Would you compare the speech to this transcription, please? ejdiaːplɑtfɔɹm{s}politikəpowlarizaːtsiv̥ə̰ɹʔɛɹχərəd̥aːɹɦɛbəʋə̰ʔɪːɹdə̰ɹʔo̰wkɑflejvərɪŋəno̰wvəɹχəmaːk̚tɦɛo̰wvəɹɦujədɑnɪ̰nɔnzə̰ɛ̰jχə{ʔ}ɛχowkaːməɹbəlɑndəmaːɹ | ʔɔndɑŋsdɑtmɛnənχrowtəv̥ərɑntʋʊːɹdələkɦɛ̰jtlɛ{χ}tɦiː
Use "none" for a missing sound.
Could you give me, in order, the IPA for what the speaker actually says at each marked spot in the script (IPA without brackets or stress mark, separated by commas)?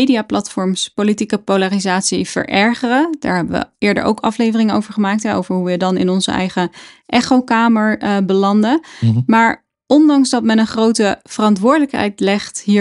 s, ʔ, χ